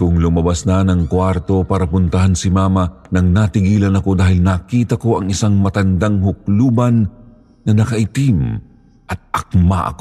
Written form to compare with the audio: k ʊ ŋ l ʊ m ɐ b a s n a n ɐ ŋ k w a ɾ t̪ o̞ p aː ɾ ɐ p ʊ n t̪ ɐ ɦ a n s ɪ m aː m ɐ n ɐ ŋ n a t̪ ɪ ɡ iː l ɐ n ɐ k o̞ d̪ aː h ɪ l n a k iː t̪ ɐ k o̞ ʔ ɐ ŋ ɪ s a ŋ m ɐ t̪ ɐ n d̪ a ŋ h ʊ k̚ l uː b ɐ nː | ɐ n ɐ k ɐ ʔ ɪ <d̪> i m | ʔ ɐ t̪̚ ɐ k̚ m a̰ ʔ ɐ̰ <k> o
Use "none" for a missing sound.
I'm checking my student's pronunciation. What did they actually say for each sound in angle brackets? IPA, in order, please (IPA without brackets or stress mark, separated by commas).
t̪, k